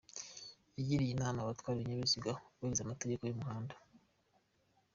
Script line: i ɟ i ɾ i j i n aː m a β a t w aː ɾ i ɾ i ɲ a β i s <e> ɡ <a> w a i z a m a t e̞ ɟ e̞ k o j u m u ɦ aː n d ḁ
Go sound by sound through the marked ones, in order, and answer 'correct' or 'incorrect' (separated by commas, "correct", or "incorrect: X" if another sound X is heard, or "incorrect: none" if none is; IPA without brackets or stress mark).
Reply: incorrect: i, correct